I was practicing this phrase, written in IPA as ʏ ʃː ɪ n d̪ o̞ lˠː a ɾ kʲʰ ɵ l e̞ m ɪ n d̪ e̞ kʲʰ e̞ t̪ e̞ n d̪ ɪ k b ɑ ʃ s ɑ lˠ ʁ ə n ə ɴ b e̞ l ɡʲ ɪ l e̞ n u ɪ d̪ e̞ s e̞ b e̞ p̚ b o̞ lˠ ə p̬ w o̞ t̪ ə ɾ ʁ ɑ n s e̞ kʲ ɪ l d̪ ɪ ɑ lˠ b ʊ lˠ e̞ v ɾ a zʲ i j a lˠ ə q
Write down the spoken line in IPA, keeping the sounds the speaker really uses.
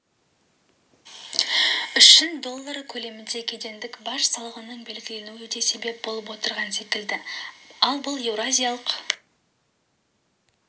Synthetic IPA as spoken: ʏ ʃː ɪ n d̪ o̞ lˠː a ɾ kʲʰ ɵ l e̞ m ɪ n d̪ e̞ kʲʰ e̞ d̪ e̞ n d̪ ɪ k b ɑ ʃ s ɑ lˠ ʁ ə n ə ɴ b e̞ l ɡʲ ɪ l e̞ n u ɪ d̪ e̞ s e̞ b e̞ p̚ b o̞ lˠ ə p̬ w o̞ t̪ ə ɾ ʁ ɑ n s e̞ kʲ ɪ l d̪ ɪ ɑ lˠ b ʊ lˠ e̞ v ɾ a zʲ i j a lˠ ə q